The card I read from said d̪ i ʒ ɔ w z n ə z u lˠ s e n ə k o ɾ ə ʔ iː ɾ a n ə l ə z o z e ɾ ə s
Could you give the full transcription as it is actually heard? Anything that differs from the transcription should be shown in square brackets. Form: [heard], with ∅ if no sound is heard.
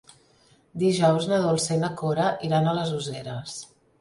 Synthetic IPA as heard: d̪ i ʒ ɔ w z n ə [ð] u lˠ s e n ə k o ɾ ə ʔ [i] ɾ a n ə l ə z [u] z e ɾ ə s